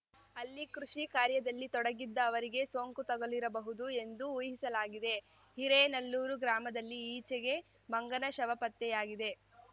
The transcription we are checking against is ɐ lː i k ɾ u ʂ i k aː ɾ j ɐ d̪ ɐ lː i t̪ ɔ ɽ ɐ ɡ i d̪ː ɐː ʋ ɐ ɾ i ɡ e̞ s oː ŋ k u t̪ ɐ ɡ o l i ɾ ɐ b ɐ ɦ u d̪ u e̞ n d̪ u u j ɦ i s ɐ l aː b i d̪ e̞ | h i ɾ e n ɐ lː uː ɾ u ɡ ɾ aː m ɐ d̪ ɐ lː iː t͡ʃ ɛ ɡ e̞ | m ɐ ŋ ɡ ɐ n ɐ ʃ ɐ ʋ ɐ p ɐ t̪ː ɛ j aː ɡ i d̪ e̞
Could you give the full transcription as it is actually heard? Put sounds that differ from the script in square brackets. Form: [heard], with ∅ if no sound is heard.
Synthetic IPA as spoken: ɐ lː i k ɾ u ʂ i k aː ɾ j ɐ d̪ ɐ lː i t̪ ɔ ɽ ɐ ɡ i d̪ː ɐː ʋ ɐ ɾ i ɡ e̞ s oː ŋ k u t̪ ɐ ɡ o l i ɾ ɐ b ɐ ɦ u d̪ u e̞ n d̪ u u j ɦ i s ɐ l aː [ɡ] i d̪ e̞ | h i ɾ e n ɐ lː uː ɾ u ɡ ɾ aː m ɐ d̪ ɐ lː iː t͡ʃ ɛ ɡ e̞ | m ɐ ŋ ɡ ɐ n ɐ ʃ ɐ ʋ ɐ p ɐ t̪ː ɛ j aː ɡ i d̪ e̞